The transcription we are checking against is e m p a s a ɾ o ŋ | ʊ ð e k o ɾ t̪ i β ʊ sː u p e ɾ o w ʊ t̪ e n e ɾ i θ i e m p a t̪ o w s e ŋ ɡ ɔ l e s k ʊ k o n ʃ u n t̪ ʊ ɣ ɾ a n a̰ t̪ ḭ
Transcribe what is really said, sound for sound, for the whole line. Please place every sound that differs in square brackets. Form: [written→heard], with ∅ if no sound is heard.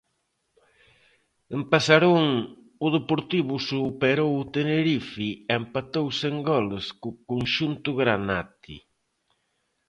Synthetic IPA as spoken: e m p a s a ɾ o ŋ | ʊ ð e [k→p] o ɾ t̪ i β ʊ [sː→s] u p e ɾ o w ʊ t̪ e n e ɾ i [θ→f] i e m p a t̪ o w s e ŋ ɡ ɔ l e s k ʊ k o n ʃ u n t̪ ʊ ɣ ɾ a n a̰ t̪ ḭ